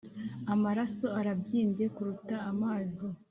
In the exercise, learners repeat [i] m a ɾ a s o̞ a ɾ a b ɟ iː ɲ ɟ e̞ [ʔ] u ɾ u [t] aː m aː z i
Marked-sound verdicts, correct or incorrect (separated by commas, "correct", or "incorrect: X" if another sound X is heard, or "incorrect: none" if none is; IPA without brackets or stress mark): incorrect: a, incorrect: k, correct